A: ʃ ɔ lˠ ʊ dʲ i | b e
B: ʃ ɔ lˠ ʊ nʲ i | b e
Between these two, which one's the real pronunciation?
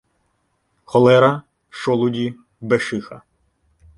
A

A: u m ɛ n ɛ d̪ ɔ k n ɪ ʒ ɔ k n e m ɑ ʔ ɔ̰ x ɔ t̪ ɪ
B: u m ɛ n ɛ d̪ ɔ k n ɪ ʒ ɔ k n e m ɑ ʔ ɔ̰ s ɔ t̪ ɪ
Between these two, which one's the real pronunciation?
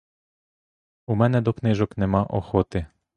A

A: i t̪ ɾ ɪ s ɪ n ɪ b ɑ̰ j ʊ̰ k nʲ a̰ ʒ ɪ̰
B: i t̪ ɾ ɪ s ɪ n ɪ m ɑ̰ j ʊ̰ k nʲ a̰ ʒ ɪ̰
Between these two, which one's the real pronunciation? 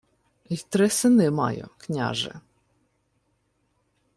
B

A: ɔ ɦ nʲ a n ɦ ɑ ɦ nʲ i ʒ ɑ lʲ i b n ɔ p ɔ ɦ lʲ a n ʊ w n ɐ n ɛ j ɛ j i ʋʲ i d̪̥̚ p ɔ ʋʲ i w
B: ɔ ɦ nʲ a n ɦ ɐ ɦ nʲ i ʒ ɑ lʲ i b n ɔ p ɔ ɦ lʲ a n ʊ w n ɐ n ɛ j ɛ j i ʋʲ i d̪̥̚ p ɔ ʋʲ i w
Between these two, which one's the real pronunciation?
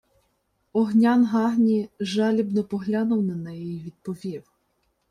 A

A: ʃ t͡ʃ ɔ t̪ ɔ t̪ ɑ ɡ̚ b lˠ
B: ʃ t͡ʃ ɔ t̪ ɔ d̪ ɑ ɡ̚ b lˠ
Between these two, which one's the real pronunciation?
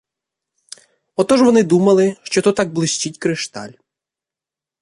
A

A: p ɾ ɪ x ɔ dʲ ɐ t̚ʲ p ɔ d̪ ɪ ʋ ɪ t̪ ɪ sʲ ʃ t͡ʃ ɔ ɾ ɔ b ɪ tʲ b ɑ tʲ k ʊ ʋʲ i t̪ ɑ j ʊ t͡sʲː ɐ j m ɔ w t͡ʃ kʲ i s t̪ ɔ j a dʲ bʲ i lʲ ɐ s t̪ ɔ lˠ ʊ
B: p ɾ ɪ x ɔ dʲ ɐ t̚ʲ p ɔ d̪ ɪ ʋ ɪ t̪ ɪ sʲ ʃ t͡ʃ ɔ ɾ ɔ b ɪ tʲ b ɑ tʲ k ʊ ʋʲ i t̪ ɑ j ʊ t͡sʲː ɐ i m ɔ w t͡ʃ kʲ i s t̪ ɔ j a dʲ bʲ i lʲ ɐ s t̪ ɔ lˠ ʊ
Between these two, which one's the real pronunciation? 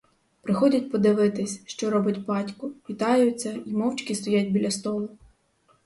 B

